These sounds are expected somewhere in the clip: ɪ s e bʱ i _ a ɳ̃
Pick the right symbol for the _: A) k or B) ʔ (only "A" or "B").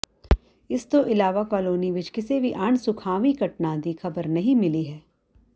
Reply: B